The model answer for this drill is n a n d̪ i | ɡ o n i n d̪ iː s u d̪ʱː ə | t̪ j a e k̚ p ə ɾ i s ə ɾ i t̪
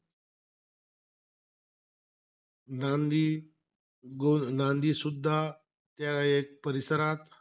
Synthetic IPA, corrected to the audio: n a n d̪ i | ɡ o n a n d̪ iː s u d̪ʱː a | t̪ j a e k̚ p ə ɾ i s ə ɾ a t̪